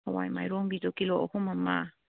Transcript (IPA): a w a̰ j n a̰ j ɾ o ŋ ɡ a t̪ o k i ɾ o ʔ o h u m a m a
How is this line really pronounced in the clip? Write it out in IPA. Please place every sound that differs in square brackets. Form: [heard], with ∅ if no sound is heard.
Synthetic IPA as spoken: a w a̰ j [m] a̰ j ɾ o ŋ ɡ [i] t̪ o k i [l] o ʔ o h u m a m a